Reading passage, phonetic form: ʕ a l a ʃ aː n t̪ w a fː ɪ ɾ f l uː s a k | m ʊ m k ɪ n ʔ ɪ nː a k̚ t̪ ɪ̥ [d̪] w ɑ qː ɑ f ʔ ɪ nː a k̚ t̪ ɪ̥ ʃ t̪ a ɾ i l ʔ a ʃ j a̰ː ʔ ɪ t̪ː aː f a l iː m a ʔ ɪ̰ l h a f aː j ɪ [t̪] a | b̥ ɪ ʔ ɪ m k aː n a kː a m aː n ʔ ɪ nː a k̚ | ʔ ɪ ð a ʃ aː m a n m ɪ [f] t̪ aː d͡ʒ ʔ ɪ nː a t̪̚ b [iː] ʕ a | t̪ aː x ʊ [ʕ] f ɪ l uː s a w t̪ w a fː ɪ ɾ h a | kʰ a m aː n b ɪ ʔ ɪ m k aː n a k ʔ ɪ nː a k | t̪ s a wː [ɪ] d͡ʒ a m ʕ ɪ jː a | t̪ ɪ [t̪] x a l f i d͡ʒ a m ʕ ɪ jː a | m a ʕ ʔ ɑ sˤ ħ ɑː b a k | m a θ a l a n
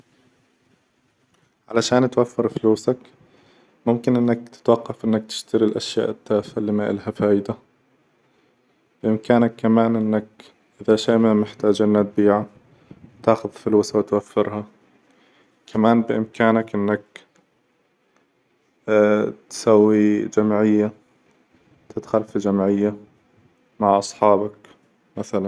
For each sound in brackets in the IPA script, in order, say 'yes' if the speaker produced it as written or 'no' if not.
no, no, no, yes, no, no, yes

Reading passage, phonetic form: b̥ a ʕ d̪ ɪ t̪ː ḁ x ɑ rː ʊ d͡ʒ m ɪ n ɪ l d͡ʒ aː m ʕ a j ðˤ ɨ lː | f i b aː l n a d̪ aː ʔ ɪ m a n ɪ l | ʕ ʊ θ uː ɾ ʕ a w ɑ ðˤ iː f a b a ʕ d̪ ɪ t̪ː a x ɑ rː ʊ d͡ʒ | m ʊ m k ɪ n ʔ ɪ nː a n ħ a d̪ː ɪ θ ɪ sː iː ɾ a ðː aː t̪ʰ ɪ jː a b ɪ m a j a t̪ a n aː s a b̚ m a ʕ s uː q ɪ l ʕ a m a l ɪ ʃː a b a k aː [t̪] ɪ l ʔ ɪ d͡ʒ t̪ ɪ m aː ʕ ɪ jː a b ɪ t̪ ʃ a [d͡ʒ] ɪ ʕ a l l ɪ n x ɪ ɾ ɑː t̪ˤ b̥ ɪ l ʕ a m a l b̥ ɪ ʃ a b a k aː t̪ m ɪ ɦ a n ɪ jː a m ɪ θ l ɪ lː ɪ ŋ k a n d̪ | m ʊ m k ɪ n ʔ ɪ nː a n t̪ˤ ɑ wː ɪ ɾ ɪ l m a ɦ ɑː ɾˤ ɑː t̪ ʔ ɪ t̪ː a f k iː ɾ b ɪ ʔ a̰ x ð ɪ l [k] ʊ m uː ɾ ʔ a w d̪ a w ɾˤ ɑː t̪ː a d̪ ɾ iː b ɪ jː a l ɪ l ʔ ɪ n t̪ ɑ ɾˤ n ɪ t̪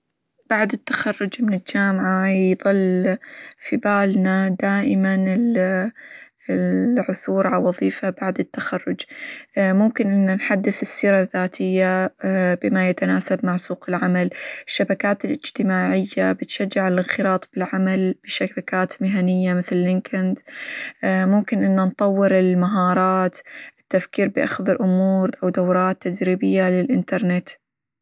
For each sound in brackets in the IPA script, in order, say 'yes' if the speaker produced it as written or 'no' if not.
yes, no, no

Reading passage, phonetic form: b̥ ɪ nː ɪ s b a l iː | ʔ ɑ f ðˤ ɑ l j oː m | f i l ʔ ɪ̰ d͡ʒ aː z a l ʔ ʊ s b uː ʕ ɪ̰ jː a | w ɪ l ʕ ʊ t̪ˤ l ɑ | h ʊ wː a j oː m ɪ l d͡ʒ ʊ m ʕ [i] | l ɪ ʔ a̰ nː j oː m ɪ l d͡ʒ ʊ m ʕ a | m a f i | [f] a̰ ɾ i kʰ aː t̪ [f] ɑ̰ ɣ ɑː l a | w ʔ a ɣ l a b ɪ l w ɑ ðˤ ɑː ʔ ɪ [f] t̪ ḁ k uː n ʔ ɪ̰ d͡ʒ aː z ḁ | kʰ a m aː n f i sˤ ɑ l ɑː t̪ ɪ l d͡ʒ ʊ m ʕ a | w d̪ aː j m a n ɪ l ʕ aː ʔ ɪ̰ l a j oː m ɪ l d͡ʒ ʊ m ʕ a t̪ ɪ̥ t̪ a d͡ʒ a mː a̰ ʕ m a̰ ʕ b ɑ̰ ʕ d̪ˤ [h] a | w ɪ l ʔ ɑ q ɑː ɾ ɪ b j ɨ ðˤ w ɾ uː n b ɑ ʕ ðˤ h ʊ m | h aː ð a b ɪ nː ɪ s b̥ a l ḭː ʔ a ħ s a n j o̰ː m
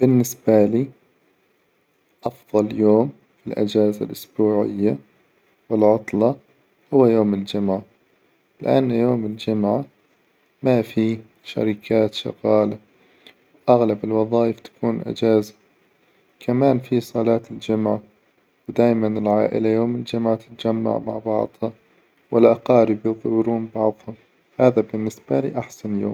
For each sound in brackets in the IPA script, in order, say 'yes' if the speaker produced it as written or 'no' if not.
no, no, no, yes, yes

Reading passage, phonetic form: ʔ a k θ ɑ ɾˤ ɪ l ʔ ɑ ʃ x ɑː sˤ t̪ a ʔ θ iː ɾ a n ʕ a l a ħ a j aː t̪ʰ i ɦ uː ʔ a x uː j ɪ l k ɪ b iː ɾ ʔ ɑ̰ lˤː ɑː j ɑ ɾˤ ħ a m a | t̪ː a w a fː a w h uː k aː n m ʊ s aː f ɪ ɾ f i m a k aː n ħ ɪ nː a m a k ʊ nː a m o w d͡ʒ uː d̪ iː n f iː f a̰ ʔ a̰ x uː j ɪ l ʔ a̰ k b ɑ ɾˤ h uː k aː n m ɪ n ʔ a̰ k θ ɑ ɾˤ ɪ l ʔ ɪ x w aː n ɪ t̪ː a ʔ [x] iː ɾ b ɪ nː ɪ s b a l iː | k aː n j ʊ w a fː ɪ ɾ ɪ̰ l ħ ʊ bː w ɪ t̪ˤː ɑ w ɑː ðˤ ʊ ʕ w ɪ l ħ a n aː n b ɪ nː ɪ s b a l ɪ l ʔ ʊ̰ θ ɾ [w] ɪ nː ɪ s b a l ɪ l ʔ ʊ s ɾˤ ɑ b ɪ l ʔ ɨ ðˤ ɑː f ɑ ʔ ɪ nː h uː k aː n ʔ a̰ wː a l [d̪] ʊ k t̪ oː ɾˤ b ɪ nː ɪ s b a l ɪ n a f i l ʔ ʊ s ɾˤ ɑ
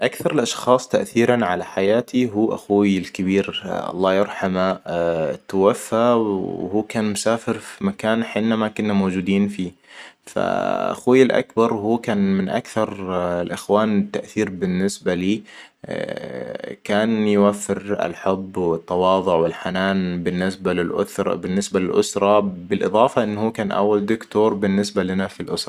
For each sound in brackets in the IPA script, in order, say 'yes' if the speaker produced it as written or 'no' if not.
no, no, yes

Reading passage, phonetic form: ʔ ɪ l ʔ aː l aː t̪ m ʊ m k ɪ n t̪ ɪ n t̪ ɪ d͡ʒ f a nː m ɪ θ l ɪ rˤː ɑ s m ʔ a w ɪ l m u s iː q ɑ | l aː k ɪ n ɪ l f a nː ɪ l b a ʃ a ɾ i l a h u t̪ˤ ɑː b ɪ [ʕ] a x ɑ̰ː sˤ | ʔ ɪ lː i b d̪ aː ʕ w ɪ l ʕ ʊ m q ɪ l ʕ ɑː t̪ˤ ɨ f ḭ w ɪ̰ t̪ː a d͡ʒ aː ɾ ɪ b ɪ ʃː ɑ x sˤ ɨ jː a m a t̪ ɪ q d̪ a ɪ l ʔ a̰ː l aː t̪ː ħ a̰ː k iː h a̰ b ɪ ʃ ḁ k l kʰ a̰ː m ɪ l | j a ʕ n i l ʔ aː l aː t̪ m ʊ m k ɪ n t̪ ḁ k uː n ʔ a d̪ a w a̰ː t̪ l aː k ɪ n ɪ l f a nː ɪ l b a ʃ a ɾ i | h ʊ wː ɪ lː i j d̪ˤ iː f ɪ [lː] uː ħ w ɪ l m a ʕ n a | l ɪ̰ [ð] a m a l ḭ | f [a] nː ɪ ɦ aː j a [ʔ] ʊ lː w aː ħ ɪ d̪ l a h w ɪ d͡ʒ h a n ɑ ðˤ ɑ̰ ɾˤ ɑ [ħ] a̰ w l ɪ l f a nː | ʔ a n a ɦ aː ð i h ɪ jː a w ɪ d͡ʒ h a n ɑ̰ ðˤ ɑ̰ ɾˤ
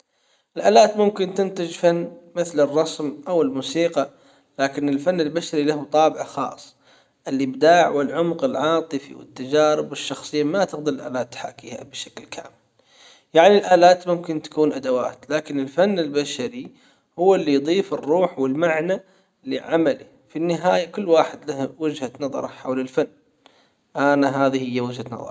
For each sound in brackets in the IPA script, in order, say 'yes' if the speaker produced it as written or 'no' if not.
yes, no, no, no, no, yes

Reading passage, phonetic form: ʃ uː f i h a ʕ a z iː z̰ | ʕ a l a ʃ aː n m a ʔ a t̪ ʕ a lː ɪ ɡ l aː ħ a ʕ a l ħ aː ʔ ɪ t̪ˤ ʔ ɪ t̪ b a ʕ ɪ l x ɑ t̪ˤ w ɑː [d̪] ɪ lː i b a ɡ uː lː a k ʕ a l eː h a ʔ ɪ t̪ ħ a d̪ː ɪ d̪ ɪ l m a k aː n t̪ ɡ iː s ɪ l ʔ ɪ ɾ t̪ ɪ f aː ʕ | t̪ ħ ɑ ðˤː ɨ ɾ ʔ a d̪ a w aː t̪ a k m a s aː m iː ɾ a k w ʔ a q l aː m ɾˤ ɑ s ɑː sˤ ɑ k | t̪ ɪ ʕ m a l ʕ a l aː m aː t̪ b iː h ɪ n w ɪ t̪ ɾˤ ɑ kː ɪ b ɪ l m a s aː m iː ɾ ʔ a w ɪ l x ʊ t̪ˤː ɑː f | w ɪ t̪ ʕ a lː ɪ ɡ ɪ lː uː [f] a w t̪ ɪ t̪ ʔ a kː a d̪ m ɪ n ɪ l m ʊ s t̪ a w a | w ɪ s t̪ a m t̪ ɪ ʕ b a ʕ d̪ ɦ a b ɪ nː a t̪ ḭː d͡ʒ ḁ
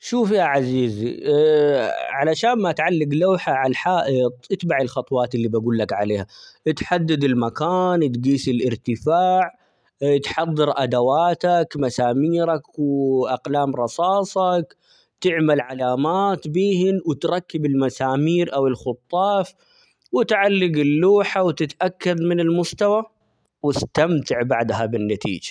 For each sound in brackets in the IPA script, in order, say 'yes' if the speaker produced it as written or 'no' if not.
no, no

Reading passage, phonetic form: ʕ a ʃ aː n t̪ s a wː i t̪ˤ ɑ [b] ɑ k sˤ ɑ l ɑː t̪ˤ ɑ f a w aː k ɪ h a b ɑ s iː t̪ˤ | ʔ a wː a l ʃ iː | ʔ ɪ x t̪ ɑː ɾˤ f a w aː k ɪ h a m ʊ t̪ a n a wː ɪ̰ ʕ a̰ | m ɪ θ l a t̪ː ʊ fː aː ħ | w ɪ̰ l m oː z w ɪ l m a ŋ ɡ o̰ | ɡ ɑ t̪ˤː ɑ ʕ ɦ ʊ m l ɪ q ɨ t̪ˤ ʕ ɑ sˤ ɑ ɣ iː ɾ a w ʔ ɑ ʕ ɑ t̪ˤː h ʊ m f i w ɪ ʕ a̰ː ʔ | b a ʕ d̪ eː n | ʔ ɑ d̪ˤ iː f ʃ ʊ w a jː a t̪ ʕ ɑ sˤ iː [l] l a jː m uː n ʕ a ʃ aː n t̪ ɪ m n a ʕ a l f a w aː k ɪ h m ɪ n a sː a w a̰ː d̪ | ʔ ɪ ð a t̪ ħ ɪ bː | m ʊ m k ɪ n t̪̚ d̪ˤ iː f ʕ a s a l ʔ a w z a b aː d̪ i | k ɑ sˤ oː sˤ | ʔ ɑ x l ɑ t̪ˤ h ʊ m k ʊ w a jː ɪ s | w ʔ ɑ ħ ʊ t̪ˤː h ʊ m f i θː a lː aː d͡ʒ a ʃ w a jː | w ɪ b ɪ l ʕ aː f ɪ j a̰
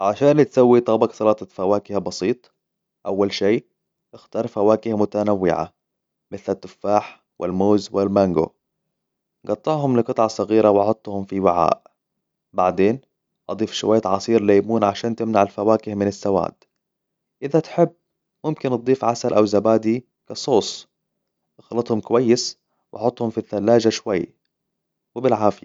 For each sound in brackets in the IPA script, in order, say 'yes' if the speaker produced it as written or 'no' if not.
yes, no

